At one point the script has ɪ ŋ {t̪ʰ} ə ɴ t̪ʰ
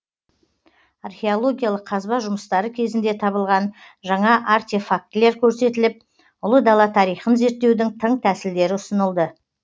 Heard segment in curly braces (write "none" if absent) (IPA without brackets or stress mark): t̪ʰ